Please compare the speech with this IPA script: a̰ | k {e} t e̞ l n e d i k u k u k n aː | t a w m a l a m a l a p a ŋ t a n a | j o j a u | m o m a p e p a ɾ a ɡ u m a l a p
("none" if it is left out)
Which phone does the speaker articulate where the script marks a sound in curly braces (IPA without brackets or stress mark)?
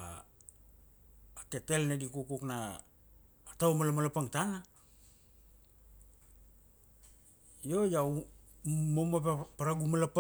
e